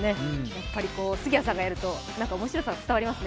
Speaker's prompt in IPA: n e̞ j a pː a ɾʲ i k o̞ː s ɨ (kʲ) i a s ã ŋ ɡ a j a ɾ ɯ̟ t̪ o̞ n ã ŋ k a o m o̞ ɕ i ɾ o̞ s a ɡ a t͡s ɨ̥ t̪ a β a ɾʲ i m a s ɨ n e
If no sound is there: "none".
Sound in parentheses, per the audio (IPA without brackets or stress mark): ɡʲ